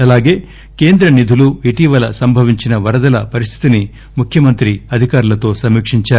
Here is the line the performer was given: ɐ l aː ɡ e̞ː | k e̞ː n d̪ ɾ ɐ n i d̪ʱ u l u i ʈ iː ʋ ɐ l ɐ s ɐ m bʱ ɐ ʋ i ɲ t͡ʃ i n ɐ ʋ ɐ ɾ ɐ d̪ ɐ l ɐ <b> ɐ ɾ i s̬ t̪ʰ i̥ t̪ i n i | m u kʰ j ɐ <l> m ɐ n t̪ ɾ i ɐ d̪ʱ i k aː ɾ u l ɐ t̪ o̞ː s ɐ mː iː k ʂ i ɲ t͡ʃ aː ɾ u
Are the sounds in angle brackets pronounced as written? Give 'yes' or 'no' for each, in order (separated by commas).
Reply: no, no